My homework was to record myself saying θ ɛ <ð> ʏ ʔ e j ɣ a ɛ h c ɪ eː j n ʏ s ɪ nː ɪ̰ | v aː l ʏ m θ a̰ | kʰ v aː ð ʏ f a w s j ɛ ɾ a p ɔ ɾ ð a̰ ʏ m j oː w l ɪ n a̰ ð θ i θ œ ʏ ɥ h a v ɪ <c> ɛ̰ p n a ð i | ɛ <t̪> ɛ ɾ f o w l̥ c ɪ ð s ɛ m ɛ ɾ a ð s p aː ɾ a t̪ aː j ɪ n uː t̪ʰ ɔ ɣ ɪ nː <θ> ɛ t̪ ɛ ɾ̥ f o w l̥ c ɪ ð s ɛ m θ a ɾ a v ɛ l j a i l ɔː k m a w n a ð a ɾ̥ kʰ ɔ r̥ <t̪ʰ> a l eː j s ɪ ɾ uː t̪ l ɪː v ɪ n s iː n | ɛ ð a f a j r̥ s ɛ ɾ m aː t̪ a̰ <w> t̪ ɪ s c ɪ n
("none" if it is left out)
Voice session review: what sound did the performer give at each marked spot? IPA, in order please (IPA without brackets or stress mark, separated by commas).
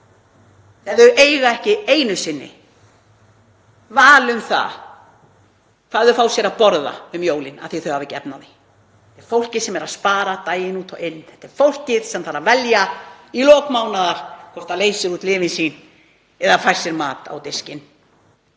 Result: ð, c, t̪, θ, t̪, w